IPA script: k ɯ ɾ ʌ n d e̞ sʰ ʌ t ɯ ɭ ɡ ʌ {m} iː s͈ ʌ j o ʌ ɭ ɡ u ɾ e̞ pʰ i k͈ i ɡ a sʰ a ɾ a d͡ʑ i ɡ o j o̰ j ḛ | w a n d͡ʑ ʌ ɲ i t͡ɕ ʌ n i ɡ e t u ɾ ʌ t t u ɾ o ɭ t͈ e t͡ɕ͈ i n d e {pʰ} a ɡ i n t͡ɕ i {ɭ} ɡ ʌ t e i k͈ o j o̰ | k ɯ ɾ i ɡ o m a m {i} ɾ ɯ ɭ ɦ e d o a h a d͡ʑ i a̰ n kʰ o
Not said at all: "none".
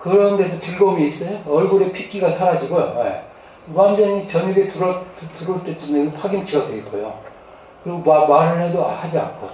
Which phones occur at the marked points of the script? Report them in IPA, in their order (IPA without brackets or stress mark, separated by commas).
m, pʰ, none, a